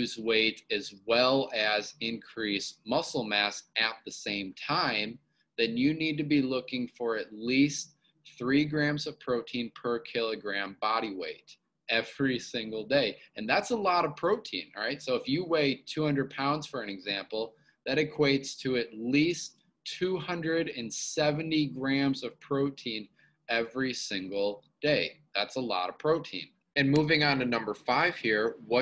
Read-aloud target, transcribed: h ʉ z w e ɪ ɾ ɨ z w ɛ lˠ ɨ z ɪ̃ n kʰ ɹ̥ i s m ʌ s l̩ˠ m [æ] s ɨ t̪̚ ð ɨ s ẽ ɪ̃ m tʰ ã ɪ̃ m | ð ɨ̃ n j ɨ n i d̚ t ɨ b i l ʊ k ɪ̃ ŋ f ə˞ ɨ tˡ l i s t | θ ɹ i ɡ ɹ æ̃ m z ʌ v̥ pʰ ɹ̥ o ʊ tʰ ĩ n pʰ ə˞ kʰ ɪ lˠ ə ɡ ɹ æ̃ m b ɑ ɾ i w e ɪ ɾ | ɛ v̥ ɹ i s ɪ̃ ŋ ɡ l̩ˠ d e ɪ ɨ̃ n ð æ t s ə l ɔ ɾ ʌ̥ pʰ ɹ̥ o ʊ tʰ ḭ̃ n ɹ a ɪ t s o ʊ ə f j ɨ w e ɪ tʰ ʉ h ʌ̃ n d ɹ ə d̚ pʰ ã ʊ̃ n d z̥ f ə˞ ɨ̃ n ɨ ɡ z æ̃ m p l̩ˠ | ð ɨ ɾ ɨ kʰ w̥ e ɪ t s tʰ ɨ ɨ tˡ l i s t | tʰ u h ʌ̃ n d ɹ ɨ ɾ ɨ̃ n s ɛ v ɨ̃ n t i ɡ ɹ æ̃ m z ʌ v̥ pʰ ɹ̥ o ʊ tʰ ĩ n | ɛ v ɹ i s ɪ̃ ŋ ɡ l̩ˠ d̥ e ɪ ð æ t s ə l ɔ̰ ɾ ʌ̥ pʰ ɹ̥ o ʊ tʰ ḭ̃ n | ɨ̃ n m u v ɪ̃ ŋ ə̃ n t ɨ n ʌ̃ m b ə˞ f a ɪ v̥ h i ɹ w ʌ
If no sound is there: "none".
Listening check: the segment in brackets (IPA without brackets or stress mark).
æ